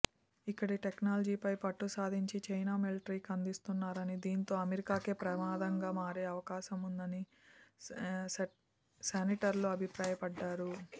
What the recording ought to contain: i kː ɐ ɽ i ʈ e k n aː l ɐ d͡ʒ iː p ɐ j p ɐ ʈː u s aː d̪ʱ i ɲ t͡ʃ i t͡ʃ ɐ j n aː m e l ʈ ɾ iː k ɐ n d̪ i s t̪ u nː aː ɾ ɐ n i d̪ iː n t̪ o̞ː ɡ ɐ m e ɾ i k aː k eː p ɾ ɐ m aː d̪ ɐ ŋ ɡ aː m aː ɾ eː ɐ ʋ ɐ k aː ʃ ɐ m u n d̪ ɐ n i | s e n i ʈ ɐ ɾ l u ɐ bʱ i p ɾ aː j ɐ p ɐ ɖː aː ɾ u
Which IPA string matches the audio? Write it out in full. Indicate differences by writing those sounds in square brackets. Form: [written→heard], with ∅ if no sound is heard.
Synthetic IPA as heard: i kː ɐ ɽ i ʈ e k n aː l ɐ d͡ʒ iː p ɐ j p ɐ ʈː u s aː d̪ʱ i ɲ t͡ʃ i t͡ʃ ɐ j n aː m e l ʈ ɾ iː k ɐ n d̪ i s t̪ u nː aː ɾ ɐ n i d̪ iː n t̪ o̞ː [ɡ→∅] ɐ m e ɾ i k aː k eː p ɾ ɐ m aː d̪ ɐ ŋ ɡ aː m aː ɾ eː ɐ ʋ ɐ k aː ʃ ɐ m u n d̪ ɐ n i | s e n i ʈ ɐ ɾ l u ɐ bʱ i p ɾ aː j ɐ p ɐ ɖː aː ɾ u